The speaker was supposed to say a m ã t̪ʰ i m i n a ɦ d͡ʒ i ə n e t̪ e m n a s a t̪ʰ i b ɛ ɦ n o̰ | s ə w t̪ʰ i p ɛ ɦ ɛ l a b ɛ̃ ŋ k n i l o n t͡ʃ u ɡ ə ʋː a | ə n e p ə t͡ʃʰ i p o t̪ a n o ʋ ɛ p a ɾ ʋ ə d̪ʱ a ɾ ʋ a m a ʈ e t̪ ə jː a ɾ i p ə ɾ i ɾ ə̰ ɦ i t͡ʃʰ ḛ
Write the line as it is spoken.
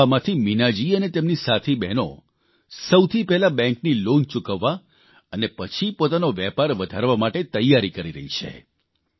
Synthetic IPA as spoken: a m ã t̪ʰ i m i n a d͡ʒ i ə n e t̪ e m n i s a t̪ʰ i b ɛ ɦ n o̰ | s ə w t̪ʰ i p ɛ ɦ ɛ l a b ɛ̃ ŋ k n i l o n t͡ʃ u k ə ʋː a | ə n e p ə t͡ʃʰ i p o t̪ a n o ʋ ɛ p a ɾ ʋ ə d̪ʱ a ɾ ʋ a m a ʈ e t̪ ə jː a ɾ i k ə ɾ i ɾ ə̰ ɦ i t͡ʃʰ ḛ